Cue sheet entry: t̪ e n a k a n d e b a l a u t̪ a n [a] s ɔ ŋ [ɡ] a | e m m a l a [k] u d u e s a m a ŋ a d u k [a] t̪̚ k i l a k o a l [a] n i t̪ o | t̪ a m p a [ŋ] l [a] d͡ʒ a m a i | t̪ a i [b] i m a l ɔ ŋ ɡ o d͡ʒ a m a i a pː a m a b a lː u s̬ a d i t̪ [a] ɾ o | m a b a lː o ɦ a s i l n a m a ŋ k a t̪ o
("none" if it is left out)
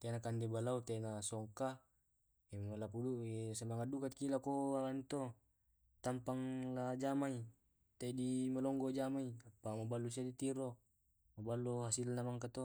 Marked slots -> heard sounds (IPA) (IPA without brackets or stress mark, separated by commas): a, k, p, a, a, ŋ, a, d, i